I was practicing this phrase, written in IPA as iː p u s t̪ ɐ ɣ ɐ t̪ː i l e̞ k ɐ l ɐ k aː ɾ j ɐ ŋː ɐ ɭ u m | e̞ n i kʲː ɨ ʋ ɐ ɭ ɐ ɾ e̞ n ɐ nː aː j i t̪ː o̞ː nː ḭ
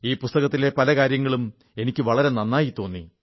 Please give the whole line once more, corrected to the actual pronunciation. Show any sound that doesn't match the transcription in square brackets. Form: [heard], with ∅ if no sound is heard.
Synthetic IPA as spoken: iː p u s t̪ ɐ ɣ ɐ t̪ː i l e̞ [p] ɐ l ɐ k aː ɾ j ɐ ŋː ɐ ɭ u m | e̞ n i kʲː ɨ ʋ ɐ ɭ ɐ ɾ e̞ n ɐ nː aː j i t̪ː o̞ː nː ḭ

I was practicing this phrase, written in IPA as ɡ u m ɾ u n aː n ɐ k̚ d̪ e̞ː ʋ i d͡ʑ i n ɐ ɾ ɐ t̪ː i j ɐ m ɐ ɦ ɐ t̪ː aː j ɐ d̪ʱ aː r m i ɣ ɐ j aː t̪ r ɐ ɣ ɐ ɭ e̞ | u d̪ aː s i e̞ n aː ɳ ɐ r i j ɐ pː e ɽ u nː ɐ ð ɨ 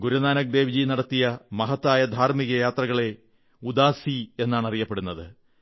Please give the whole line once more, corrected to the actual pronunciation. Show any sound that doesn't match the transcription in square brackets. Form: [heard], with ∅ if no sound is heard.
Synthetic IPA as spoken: ɡ u [∅] ɾ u n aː n ɐ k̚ d̪ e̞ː ʋ i d͡ʑ i n ɐ [ɽ] ɐ t̪ː i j ɐ m ɐ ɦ ɐ t̪ː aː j ɐ d̪ʱ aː r m i ɣ ɐ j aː t̪ r ɐ ɣ ɐ ɭ e̞ | u d̪ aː s i e̞ [nː] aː ɳ ɐ r i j ɐ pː e ɽ u nː ɐ ð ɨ

